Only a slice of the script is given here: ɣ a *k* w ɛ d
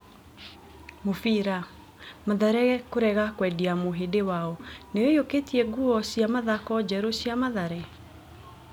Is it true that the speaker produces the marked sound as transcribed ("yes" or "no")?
yes